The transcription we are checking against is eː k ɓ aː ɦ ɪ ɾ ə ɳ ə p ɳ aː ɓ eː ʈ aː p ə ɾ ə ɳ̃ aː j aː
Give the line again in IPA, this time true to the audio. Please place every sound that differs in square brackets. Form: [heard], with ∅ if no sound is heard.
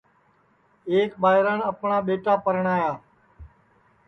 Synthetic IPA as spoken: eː k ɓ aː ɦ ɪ ɾ ə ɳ ə p ɳ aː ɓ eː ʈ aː p ə ɾ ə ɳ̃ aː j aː